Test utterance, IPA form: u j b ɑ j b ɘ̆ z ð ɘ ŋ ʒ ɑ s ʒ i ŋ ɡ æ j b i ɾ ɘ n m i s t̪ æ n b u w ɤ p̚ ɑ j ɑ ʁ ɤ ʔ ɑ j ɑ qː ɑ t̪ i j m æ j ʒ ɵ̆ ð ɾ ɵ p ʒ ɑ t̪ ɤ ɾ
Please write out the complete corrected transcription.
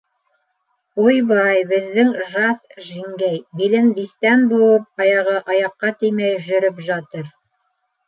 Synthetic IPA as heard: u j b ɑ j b ɘ̆ z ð ɘ ŋ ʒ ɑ s ʒ i ŋ ɡ æ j b i l ɘ n b i s t̪ æ n b u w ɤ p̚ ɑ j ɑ ʁ ɤ ʔ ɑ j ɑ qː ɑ t̪ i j m æ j ʒ ɵ̆ ɾ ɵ p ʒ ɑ t̪ ɤ ɾ